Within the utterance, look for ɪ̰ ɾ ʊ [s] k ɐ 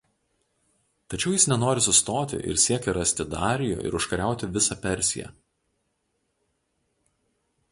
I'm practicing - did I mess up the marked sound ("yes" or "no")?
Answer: yes